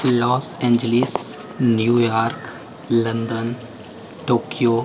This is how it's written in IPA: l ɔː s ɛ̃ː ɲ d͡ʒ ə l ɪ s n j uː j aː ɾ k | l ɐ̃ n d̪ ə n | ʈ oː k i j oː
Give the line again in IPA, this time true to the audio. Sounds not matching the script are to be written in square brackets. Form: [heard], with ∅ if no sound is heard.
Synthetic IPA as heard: l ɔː s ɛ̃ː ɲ d͡ʒ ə l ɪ s n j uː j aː ɾ k | l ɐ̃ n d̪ ə n | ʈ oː k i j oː